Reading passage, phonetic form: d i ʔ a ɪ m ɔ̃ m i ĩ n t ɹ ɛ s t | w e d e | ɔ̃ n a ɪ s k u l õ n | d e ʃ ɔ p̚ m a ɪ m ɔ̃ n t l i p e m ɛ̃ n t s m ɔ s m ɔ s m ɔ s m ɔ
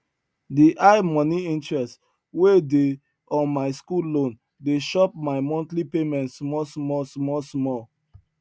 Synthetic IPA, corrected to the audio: d i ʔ a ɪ m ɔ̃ n i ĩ n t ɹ ɛ s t | w e d e | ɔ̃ m a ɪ s k u l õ n | d e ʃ ɔ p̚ m a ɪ m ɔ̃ n t l i p e m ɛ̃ n t s m ɔ s m ɔ s m ɔ s m ɔ